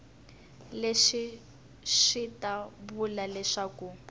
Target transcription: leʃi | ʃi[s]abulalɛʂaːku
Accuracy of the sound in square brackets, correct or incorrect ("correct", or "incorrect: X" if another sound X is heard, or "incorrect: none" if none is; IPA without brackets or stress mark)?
incorrect: t